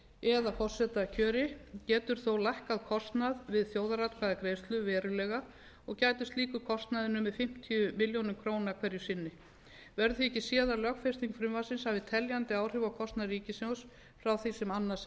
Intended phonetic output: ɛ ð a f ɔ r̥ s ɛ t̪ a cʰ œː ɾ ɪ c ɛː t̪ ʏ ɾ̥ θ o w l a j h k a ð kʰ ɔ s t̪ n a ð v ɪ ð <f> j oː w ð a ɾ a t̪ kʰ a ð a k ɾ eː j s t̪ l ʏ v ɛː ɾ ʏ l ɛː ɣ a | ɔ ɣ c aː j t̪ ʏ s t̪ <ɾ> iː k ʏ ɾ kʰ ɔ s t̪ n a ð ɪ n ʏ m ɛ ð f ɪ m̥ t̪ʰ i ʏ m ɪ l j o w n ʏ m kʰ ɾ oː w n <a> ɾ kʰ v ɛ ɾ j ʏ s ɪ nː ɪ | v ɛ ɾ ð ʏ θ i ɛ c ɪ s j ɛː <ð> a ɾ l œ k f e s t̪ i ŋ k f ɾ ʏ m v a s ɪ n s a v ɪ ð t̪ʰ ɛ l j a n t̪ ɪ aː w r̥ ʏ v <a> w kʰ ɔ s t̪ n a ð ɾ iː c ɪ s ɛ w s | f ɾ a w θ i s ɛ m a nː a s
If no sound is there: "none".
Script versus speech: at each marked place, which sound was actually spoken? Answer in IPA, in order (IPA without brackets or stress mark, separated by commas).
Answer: θ, l, a, ð, a